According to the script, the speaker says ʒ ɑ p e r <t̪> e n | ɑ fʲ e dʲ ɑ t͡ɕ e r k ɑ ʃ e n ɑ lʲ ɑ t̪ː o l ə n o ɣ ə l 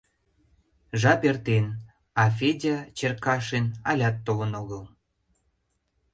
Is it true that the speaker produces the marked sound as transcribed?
yes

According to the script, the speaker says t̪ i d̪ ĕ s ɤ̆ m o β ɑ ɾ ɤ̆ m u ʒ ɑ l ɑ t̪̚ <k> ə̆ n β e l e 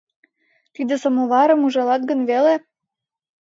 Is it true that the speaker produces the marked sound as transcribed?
no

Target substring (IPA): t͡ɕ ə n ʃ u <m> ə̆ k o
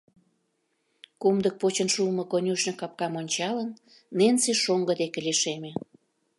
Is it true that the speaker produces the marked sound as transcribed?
yes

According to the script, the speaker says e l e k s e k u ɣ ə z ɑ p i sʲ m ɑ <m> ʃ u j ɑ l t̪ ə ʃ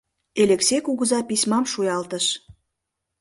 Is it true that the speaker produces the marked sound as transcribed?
yes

